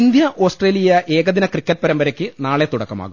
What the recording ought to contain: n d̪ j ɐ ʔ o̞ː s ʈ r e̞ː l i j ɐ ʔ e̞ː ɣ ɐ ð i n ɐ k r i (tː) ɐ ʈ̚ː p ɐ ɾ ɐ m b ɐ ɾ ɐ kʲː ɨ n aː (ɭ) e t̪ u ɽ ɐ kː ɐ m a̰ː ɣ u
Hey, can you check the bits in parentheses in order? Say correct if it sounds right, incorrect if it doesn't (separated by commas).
incorrect, correct